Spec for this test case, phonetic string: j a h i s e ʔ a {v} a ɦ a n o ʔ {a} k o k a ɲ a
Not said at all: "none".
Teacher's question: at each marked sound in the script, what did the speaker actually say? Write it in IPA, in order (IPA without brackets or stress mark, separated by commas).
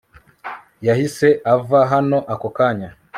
v, a